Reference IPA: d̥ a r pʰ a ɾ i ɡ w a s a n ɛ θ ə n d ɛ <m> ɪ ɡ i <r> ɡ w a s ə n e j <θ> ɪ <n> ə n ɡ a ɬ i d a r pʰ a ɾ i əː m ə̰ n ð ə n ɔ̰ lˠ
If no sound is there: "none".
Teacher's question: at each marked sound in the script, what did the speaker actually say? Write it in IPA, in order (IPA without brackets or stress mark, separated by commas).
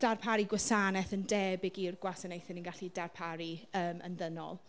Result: b, r, θ, n